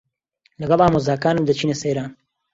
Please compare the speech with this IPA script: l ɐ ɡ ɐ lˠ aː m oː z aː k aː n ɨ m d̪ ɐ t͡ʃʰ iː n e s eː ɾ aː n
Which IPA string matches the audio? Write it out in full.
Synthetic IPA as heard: l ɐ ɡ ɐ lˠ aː m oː z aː k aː n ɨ m d̪ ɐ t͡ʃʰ iː n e s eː ɾ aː n